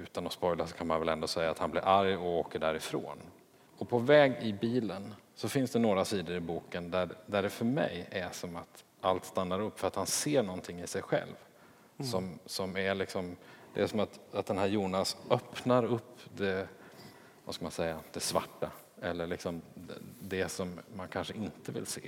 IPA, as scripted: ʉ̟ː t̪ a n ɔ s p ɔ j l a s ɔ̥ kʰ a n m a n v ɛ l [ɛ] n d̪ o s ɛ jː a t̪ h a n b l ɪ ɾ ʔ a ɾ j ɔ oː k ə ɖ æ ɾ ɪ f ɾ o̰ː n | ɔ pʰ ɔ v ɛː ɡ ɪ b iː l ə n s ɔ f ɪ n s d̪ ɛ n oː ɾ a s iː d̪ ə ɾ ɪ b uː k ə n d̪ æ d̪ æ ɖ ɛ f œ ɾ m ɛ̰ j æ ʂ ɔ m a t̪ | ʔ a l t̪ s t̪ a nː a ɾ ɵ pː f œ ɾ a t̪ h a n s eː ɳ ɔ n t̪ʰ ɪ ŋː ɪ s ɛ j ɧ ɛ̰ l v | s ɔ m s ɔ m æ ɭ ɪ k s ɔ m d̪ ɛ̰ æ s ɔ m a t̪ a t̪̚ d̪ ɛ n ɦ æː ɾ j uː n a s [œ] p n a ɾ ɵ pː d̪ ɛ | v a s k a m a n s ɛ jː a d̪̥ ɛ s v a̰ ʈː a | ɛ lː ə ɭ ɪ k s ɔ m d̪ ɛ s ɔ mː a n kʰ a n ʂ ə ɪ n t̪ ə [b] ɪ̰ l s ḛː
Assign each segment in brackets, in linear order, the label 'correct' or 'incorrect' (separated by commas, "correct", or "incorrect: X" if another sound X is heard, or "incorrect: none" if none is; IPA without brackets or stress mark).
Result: correct, correct, incorrect: v